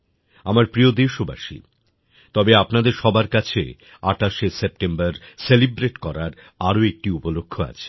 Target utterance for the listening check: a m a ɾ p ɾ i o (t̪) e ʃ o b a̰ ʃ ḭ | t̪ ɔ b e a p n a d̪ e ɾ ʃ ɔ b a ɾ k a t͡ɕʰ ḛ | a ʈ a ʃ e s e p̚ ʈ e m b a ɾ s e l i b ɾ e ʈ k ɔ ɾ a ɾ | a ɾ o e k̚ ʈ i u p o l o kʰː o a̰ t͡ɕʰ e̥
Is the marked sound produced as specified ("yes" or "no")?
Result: no